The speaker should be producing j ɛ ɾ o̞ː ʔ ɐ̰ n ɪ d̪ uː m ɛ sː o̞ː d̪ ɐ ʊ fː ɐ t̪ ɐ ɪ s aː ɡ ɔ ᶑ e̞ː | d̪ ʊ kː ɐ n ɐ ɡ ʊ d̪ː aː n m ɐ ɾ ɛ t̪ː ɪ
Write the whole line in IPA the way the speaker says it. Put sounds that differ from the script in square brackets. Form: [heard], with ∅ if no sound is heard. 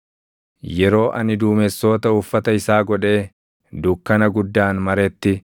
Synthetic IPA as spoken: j ɛ ɾ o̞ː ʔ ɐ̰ n ɪ d̪ uː m ɛ sː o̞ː [t̪] ɐ ʊ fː ɐ t̪ ɐ ɪ s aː ɡ ɔ ᶑ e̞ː | d̪ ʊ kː ɐ n ɐ ɡ ʊ d̪ː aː n m ɐ ɾ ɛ t̪ː ɪ